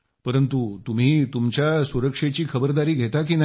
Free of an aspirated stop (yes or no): no